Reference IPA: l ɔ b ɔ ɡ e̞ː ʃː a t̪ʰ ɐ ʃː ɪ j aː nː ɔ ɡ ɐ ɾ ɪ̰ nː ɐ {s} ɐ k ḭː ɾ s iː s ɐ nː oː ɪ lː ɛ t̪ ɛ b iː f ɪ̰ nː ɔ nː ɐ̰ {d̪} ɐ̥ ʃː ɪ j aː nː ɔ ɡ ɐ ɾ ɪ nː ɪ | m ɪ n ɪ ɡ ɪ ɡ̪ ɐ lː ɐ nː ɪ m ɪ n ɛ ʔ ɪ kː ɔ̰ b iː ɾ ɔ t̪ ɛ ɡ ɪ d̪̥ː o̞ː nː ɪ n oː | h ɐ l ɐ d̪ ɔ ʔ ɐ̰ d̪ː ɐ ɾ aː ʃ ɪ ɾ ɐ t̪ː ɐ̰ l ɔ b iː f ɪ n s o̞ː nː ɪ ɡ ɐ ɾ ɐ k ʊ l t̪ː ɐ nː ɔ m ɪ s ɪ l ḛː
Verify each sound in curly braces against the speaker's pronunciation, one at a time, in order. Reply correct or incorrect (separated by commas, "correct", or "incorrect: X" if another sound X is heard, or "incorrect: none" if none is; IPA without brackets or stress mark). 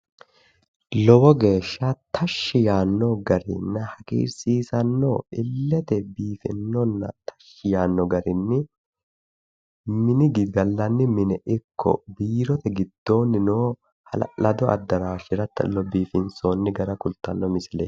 incorrect: h, incorrect: t̪